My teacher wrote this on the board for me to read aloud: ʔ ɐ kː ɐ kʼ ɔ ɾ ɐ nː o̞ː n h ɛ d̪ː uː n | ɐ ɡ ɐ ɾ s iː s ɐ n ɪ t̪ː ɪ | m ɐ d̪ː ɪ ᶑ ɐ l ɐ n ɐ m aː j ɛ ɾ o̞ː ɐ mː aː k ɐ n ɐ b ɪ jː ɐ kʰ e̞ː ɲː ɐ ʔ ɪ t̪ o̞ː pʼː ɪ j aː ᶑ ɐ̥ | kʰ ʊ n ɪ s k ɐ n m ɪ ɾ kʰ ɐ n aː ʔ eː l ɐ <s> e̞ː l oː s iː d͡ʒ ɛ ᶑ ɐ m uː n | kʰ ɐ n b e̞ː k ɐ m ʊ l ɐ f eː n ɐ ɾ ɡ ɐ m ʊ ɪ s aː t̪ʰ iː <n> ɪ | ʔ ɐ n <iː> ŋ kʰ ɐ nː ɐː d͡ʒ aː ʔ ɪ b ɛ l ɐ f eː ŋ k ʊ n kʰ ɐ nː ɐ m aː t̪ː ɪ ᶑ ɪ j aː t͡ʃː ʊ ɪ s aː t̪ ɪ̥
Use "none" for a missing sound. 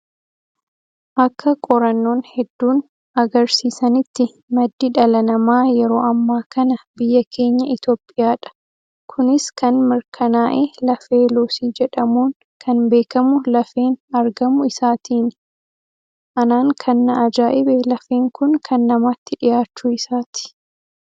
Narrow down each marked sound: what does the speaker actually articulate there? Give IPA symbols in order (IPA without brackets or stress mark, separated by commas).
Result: f, n, aː